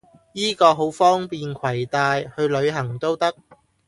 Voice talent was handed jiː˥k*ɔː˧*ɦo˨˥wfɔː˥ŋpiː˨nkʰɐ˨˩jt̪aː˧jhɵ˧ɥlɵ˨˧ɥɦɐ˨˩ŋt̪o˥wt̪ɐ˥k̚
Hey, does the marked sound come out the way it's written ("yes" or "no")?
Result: yes